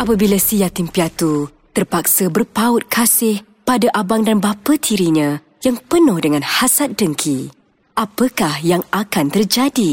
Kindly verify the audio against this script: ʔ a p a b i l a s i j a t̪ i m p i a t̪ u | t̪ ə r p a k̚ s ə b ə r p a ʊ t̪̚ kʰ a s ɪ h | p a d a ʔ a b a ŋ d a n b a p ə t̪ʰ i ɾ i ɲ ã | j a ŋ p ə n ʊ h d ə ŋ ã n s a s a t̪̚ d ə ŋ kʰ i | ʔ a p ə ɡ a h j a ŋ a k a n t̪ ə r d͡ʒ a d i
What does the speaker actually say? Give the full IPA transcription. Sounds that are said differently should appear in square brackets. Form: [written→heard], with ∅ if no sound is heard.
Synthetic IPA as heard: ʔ a p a b i l a s i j a t̪ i m p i a t̪ u | t̪ ə r p a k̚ s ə b ə r p a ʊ t̪̚ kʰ a s ɪ h | p a d a ʔ a b a ŋ d a n b a p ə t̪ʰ i ɾ i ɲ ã | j a ŋ p ə n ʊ h d ə ŋ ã n [s→h] a s a t̪̚ d ə ŋ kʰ i | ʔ a p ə [ɡ→k] a h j a ŋ a k a n t̪ ə r d͡ʒ a d i